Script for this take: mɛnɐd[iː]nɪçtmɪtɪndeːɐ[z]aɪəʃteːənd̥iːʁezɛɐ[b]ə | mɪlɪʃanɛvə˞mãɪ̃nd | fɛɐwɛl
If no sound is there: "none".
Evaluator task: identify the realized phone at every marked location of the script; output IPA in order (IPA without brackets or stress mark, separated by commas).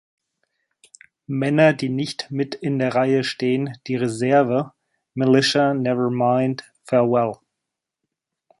iː, ʁ, v